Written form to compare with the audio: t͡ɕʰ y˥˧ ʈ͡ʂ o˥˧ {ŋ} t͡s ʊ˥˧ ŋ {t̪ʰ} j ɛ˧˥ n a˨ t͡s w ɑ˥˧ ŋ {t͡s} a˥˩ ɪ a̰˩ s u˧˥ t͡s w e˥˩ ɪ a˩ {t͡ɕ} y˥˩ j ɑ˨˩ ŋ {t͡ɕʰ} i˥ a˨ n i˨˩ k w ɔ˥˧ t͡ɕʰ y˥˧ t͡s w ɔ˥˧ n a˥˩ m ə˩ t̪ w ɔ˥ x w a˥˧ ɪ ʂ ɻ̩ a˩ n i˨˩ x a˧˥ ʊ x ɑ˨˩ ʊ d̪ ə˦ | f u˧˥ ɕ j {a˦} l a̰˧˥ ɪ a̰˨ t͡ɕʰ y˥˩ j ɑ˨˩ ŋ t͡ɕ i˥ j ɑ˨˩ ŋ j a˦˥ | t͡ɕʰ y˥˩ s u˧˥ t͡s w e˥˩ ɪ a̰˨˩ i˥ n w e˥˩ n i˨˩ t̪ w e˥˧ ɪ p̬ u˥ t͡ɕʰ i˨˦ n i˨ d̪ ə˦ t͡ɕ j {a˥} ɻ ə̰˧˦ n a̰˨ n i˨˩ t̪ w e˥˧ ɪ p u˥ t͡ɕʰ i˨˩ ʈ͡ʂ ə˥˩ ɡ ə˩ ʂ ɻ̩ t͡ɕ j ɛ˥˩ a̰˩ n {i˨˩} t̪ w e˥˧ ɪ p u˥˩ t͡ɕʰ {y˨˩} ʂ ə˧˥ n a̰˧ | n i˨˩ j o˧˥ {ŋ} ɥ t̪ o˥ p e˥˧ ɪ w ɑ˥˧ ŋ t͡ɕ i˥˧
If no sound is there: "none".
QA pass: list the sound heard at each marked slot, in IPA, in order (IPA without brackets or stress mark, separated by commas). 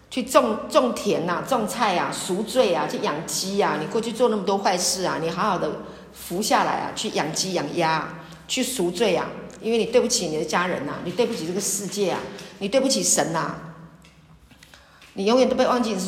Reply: ŋ, t̪ʰ, t͡sʰ, t͡ɕʰ, t͡ɕ, a˥˨, a˥, i˨˩, i˨˩, ŋ